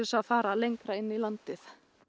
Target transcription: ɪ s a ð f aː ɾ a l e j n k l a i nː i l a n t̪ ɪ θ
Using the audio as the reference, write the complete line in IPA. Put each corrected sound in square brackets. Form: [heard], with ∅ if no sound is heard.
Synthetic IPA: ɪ s a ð f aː ɾ a l e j [ŋ] k [ɾ] a [ɪ] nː i l a n t̪ ɪ θ